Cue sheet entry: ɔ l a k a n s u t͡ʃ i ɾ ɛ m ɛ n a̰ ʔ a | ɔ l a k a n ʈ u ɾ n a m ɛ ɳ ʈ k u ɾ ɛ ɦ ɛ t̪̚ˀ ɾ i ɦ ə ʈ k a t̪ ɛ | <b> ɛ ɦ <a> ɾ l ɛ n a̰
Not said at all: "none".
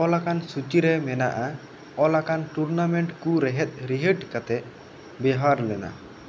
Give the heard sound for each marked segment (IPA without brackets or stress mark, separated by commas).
b, a